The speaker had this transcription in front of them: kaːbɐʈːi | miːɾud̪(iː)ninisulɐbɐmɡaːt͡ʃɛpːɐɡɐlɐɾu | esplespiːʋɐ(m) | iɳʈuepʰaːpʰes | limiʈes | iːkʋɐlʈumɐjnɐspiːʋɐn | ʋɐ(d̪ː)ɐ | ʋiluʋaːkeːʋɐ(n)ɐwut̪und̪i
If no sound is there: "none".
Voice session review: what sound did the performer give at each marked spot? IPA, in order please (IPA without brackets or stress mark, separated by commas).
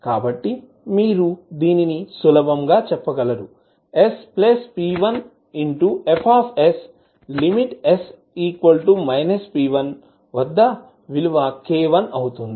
iː, n, d̪ː, n